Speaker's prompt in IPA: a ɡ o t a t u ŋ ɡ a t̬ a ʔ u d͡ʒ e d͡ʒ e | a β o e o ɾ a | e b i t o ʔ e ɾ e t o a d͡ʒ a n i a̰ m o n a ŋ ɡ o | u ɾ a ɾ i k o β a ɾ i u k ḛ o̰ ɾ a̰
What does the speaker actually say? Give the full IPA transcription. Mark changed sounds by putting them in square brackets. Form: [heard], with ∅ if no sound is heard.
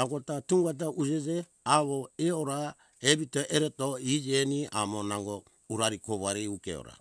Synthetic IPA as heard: a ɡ o t a t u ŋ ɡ a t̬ a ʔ u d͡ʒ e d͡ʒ e | a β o e o ɾ a | e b i t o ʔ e ɾ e t o [i] d͡ʒ [e] n i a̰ m o n a ŋ ɡ o | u ɾ a ɾ i k o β a ɾ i u k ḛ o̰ ɾ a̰